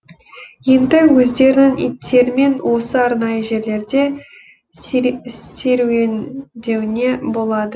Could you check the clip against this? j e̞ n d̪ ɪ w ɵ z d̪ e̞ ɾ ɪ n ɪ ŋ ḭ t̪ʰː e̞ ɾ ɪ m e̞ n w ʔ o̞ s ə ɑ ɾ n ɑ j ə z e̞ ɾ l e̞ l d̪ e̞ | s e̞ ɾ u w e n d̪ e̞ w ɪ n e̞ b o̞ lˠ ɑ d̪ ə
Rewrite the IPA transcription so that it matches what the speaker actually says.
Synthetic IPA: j e̞ n d̪ ɪ w ɵ z d̪ e̞ ɾ ɪ n ɪ ŋ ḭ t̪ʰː e̞ ɾ ɪ m e̞ n w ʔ o̞ s ə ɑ ɾ n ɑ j ə ʒ e̞ ɾ l e̞ ɾ d̪ e̞ | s e̞ ɾ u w e n d̪ e̞ w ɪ n e̞ b o̞ lˠ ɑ d̪ ə